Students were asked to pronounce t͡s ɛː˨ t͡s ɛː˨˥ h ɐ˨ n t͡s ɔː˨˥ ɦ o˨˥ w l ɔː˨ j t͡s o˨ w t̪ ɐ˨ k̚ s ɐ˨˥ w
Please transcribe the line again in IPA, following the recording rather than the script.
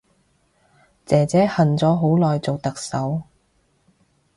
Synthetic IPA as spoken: t͡s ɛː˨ t͡s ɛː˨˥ h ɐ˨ n t͡s ɔː˨˥ ɦ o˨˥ w l ɔː˨ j t͡s o˨ w t̪ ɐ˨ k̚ s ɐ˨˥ w